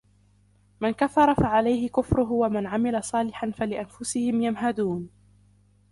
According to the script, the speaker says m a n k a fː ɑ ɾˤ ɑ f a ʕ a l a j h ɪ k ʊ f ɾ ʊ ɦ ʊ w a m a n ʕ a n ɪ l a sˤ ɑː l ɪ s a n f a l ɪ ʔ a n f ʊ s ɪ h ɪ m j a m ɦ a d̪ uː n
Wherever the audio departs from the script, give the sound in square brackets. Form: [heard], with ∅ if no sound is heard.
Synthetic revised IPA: m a n k a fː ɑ ɾˤ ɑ f a ʕ a l a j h ɪ k ʊ f ɾ ʊ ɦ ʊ w a m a n ʕ a [m] ɪ l a sˤ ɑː l ɪ [ħ] a n f a l ɪ ʔ a n f ʊ s ɪ h ɪ m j a m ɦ a d̪ uː n